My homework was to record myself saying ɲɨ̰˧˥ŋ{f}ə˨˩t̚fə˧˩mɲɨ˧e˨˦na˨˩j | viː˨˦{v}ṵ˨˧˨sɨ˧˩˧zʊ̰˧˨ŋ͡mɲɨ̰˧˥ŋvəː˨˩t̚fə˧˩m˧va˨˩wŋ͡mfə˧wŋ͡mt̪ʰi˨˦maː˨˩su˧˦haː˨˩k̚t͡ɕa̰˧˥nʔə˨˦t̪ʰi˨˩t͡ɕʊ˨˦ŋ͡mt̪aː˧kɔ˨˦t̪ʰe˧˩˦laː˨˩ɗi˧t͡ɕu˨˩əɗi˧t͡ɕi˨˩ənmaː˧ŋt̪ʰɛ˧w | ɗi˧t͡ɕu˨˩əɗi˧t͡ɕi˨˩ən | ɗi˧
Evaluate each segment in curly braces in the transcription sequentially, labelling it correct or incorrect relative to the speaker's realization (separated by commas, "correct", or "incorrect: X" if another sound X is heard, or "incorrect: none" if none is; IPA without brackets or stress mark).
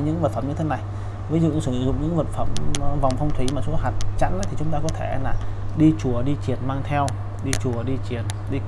incorrect: v, incorrect: z